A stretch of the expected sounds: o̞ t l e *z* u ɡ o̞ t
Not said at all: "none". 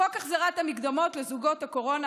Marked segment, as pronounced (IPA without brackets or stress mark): z